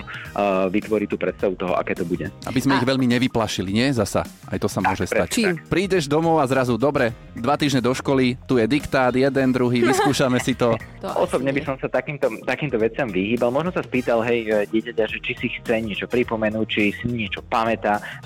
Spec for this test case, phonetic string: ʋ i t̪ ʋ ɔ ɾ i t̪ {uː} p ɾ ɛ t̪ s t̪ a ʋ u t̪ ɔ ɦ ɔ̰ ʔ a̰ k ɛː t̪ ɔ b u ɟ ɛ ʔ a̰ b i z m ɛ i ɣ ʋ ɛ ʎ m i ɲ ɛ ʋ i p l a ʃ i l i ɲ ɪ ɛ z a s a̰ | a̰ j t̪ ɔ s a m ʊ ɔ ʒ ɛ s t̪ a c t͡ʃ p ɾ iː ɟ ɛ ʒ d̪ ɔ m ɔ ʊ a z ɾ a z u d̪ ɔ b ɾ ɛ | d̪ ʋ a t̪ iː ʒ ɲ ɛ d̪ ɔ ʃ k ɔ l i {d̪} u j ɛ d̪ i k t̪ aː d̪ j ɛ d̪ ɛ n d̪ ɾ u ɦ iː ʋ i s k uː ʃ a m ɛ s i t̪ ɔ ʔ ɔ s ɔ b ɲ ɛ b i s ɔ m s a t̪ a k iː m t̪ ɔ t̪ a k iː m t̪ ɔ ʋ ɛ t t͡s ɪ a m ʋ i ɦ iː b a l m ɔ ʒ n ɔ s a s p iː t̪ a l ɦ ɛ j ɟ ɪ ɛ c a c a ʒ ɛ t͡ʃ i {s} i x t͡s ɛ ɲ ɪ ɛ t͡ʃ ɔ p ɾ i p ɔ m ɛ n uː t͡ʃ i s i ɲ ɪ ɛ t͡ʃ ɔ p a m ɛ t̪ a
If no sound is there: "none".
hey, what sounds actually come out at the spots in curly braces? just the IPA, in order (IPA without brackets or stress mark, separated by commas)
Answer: uː, t̪, s